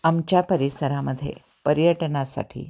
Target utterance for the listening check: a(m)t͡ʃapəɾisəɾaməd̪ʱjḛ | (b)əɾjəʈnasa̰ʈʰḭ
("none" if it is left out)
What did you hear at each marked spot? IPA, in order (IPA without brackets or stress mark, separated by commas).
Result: m, p